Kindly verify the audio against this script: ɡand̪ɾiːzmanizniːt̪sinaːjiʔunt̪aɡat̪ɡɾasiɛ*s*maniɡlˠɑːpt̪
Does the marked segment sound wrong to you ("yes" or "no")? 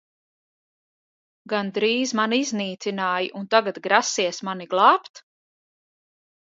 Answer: no